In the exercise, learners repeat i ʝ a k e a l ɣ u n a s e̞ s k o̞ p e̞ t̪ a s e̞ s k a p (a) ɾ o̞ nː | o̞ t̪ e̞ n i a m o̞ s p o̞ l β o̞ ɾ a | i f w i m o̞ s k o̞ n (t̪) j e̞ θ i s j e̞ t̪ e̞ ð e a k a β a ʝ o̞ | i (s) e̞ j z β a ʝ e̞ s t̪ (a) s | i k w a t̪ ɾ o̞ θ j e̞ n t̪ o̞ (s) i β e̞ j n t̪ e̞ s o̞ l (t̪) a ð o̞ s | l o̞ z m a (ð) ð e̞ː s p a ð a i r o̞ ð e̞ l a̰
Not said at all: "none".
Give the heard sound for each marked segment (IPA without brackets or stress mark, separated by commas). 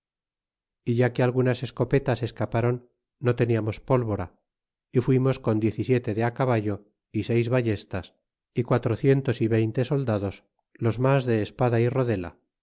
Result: a, d̪, s, a, s, d̪, z